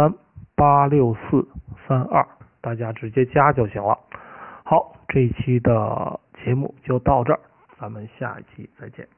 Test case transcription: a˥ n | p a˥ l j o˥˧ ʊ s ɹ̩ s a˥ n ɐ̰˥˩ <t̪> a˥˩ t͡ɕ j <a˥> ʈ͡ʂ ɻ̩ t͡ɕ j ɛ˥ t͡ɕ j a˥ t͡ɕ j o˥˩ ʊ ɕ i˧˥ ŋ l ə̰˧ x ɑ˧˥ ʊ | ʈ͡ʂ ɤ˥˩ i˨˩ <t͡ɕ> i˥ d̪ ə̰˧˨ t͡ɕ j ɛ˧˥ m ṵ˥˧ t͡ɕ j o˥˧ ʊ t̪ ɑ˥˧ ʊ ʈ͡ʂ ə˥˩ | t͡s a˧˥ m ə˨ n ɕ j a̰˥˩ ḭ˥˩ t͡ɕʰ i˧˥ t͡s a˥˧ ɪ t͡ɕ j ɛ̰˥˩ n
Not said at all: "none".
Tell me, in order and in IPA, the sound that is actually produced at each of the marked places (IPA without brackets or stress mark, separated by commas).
t̪, a˥, t͡ɕʰ